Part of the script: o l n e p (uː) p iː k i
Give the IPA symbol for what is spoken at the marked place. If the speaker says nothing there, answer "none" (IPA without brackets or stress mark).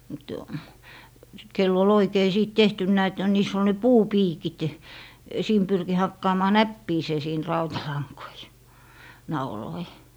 uː